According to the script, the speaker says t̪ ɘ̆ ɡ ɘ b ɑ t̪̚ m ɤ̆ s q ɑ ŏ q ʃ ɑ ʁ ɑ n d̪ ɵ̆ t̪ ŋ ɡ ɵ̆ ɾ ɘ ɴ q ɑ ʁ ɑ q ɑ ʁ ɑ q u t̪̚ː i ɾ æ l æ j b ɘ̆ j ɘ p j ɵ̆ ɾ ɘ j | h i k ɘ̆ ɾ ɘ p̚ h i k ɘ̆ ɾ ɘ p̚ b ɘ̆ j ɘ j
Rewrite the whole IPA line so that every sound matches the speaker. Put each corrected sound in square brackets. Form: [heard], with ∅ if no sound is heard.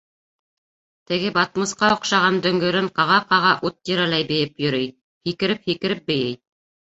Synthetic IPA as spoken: t̪ ɘ̆ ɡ ɘ b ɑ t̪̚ m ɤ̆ s q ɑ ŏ q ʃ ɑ ʁ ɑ n d̪ ɵ̆ [∅] ŋ ɡ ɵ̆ ɾ ɘ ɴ q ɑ ʁ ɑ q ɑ ʁ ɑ [ʔ] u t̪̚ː i ɾ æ l æ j b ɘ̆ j ɘ p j ɵ̆ ɾ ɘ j | h i k ɘ̆ ɾ ɘ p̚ h i k ɘ̆ ɾ ɘ p̚ b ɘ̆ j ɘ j

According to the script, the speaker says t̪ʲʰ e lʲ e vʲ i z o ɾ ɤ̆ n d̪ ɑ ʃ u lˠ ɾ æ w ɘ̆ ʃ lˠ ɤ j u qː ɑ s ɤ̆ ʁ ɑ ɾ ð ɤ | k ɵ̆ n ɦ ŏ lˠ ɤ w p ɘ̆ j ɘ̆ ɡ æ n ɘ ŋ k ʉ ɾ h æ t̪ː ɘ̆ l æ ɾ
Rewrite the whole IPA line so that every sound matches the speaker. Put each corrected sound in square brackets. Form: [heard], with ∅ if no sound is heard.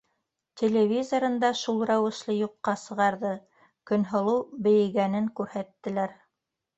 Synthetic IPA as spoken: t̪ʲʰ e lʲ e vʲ i z o ɾ ɤ̆ n d̪ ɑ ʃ u lˠ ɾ æ w ɘ̆ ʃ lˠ ɤ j u qː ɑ s ɤ̆ ʁ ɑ ɾ ð ɤ | k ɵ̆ n ɦ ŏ lˠ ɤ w [b] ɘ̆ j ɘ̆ ɡ æ n ɘ ŋ k ʉ ɾ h æ t̪ː ɘ̆ l æ ɾ

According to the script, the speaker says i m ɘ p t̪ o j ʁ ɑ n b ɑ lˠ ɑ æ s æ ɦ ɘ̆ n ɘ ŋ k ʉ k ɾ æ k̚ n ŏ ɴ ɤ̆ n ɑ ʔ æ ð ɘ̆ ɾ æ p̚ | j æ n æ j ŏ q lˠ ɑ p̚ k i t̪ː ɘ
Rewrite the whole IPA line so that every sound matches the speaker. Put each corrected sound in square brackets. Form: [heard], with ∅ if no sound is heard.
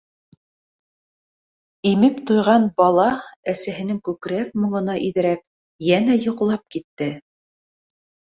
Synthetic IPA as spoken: i m ɘ p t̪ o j ʁ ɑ n b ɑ lˠ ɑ æ s æ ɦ ɘ̆ n ɘ ŋ k ʉ k ɾ æ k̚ [m] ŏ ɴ ɤ̆ n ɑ ʔ [i] ð ɘ̆ ɾ æ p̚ | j æ n æ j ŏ q lˠ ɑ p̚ k i t̪ː ɘ

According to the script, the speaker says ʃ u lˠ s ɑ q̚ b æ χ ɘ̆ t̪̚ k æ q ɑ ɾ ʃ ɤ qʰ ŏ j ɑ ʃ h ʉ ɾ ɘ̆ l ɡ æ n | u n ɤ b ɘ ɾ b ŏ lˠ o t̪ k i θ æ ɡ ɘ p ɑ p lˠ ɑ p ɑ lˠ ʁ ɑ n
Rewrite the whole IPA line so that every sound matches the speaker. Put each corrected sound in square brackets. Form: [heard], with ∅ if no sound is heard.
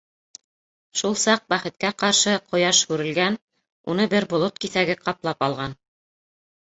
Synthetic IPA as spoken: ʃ u lˠ s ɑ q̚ b æ χ ɘ̆ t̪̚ k æ q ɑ ɾ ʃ ɤ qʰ ŏ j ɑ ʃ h ʉ ɾ ɘ̆ l ɡ æ n | u n ɤ b ɘ ɾ b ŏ lˠ o t̪ k i θ æ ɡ ɘ [q] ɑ p lˠ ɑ p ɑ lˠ ʁ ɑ n

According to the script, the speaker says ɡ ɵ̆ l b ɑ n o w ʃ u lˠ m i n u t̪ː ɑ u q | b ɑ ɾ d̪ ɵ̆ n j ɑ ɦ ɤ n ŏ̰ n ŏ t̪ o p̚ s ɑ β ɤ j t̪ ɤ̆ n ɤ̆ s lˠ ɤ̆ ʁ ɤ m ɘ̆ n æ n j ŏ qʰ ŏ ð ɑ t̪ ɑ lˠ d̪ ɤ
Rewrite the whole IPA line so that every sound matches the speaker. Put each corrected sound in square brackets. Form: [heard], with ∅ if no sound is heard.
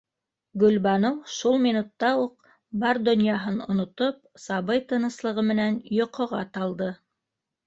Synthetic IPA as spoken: ɡ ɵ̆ l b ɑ n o w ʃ u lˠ m i n u t̪ː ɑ u q | b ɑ ɾ d̪ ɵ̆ n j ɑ ɦ ɤ n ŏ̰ n ŏ t̪ o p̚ s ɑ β ɤ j t̪ ɤ̆ n ɤ̆ s lˠ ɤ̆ ʁ ɤ m ɘ̆ n æ n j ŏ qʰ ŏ [ʁ] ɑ t̪ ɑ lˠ d̪ ɤ

